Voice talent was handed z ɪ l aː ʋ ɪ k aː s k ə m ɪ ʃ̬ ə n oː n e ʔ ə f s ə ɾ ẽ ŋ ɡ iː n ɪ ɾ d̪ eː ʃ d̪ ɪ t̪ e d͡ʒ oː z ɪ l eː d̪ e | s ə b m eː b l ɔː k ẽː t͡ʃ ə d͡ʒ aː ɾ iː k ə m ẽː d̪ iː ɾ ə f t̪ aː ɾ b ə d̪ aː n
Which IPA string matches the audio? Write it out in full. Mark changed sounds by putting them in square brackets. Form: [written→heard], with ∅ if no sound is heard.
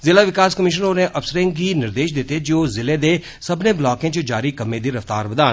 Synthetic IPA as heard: z ɪ l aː ʋ ɪ k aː s k ə m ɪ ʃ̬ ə n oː n e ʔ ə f s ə ɾ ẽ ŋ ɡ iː n ɪ ɾ d̪ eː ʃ d̪ ɪ t̪ e d͡ʒ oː z ɪ l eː d̪ e | s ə b [m→n] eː b l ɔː k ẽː t͡ʃ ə d͡ʒ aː ɾ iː k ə m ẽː d̪ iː ɾ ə f t̪ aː ɾ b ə d̪ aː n